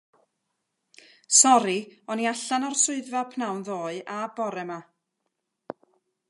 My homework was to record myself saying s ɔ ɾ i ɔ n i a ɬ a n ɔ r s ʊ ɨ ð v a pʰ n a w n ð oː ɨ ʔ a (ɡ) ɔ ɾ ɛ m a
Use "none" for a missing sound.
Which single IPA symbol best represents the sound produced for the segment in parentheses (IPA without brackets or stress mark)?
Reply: b